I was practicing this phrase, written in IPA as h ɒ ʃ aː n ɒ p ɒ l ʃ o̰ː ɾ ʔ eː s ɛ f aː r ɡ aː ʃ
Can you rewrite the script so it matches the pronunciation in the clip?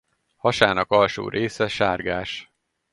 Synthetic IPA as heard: h ɒ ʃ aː n ɒ k ɒ l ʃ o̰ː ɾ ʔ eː s ɛ ʃ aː r ɡ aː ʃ